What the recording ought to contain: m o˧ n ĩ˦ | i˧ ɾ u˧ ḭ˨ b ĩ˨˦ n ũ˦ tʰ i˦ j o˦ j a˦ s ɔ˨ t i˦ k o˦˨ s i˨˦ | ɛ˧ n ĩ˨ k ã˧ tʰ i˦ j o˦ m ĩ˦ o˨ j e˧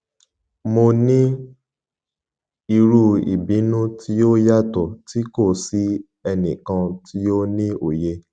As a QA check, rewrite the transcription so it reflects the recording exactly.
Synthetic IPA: m o˧ n ĩ˦ | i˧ ɾ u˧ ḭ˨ b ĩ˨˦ n ũ˦ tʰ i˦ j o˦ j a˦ t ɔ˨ t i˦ k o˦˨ s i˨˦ | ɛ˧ n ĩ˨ k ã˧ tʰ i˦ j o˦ n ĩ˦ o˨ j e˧